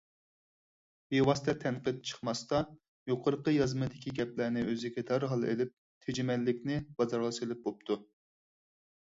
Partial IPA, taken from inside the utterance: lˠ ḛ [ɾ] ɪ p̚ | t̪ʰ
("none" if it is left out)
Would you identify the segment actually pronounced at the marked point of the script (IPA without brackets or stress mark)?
l